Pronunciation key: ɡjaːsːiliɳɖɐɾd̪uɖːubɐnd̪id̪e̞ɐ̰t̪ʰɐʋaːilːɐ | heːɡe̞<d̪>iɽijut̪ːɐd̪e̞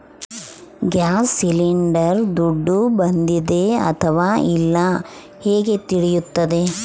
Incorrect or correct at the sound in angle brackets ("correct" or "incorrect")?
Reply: incorrect